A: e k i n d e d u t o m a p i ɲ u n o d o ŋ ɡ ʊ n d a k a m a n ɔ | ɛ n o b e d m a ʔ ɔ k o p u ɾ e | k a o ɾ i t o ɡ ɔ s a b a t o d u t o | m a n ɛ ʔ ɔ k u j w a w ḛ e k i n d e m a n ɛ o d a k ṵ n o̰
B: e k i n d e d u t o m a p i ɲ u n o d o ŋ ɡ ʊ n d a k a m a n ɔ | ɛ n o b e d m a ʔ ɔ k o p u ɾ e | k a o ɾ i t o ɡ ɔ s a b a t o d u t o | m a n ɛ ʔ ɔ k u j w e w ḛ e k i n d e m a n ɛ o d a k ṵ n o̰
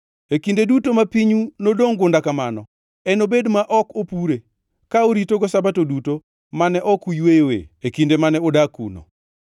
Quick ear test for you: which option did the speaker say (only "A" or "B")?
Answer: B